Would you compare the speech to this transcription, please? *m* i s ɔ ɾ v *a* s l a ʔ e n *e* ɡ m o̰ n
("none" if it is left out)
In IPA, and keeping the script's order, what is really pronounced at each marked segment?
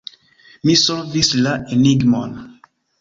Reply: m, i, i

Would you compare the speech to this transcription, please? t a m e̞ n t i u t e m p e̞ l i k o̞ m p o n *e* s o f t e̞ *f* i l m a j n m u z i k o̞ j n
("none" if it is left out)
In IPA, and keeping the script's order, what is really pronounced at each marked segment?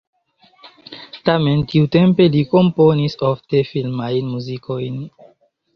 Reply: i, f

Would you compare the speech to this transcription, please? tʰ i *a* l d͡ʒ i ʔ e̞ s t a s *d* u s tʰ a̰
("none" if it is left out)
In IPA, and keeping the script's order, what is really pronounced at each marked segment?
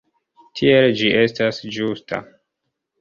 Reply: e, d͡ʒ

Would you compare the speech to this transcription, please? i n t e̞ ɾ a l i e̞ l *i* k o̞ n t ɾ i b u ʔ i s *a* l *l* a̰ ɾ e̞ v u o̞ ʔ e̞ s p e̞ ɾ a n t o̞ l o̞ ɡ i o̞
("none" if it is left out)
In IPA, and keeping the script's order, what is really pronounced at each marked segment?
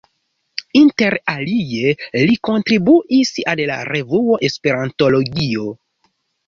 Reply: i, a, l

